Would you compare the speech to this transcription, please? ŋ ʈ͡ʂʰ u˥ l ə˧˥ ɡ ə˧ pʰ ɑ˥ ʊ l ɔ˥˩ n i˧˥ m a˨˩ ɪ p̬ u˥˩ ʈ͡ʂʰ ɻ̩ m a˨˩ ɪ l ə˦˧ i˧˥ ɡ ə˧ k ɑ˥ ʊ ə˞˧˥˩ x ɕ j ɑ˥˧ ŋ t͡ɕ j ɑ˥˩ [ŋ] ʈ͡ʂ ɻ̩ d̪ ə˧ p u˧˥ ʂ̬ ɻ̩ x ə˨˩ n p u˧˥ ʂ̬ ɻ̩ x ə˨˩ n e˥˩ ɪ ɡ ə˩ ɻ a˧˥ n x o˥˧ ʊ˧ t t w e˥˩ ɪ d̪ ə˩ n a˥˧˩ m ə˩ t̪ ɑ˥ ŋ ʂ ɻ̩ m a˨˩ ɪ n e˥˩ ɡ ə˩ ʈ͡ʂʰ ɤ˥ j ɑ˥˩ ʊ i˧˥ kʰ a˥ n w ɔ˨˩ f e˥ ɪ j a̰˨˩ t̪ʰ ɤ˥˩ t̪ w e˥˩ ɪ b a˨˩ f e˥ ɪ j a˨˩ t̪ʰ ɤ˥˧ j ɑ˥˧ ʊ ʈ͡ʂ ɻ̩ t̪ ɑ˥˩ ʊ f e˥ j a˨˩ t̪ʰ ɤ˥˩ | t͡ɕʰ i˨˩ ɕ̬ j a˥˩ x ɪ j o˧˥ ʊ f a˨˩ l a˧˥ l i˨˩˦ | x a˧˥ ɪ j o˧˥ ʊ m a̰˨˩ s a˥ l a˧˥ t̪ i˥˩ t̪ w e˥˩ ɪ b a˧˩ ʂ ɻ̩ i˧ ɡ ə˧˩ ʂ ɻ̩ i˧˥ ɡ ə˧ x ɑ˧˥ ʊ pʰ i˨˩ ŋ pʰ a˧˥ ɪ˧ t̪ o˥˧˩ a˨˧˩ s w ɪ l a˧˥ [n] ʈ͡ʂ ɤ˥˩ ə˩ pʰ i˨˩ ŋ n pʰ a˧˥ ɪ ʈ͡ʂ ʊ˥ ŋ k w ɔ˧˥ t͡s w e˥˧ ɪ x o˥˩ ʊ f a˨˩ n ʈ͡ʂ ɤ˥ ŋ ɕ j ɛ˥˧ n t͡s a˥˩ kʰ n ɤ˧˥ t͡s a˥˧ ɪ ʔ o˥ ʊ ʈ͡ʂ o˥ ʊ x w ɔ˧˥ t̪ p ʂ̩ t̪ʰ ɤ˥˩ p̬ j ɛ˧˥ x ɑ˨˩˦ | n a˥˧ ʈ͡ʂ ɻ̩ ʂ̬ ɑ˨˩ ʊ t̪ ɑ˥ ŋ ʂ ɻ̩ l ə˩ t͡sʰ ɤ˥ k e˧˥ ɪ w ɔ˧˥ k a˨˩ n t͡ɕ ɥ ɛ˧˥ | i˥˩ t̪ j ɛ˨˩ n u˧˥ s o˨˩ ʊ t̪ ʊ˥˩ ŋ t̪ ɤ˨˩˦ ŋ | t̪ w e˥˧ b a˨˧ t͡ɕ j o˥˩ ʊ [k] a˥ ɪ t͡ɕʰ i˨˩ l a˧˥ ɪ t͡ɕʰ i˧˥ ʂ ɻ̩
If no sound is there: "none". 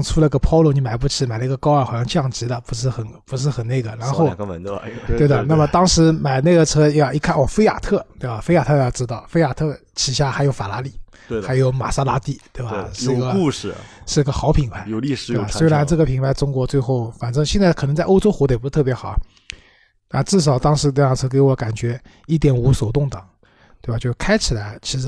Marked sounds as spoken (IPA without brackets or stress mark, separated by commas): ŋ, n, kʰ